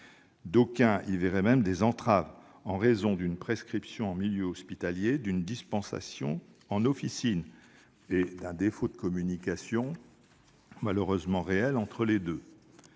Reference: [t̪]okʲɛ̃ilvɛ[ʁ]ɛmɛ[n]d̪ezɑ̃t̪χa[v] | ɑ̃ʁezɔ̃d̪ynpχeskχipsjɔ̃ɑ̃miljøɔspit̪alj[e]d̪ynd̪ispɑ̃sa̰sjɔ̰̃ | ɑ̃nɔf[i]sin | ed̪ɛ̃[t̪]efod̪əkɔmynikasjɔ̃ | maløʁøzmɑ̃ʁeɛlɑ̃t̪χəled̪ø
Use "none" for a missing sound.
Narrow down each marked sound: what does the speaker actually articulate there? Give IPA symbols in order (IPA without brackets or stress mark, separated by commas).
d̪, ʁ, m, v, e, i, d̪